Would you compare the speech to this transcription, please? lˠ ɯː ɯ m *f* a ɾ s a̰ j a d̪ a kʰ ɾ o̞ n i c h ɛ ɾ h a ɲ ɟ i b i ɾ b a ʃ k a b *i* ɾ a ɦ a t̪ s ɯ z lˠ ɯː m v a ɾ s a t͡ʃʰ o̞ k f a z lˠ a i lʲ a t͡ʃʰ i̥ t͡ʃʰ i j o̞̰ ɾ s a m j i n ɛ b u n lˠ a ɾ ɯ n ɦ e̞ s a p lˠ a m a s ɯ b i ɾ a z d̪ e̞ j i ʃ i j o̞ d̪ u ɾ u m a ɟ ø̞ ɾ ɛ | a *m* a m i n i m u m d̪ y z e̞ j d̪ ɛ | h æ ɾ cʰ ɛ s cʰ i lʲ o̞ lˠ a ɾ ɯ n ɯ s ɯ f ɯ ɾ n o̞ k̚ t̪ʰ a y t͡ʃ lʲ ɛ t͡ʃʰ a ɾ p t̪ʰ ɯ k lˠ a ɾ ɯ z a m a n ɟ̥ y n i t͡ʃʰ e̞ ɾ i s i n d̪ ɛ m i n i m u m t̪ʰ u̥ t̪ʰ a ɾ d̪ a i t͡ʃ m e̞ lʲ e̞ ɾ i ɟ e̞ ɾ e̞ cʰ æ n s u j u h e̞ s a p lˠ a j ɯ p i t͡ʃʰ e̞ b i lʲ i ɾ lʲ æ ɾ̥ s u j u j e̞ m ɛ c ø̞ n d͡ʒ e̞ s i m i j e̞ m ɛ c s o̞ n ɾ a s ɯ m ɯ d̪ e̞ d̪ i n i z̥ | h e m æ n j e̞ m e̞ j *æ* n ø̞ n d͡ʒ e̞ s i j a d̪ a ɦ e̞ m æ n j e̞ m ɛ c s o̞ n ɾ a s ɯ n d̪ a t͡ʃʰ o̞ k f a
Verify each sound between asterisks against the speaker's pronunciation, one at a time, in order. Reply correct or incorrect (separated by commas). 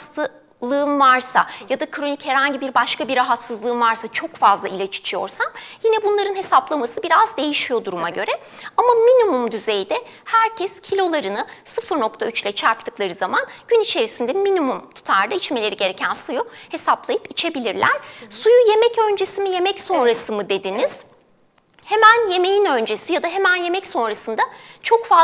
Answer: incorrect, correct, correct, incorrect